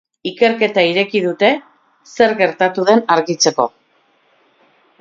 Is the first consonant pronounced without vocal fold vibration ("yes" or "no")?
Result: yes